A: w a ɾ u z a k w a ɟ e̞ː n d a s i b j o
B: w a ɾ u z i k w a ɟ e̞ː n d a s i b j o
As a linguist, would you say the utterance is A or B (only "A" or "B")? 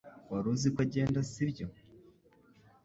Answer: B